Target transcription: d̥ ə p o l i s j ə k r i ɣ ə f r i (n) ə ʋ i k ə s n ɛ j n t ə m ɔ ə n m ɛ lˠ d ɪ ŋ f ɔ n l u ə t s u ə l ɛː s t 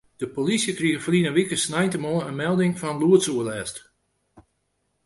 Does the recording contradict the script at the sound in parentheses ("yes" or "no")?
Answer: no